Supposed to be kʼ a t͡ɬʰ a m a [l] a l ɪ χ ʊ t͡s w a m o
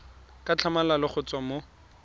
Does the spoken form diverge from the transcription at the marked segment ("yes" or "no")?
no